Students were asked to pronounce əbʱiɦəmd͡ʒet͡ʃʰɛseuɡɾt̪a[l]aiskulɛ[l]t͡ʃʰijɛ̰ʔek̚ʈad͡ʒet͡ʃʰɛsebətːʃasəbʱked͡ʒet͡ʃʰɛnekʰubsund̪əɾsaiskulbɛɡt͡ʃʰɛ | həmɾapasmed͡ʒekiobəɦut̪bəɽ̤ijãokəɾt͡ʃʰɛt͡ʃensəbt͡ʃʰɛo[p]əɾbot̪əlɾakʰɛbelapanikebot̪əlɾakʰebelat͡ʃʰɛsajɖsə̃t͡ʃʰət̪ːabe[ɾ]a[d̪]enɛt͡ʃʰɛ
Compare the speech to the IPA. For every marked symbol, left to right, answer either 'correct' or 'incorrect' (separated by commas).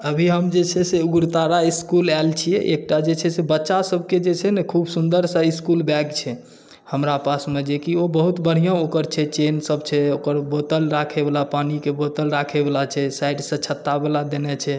incorrect, correct, incorrect, incorrect, correct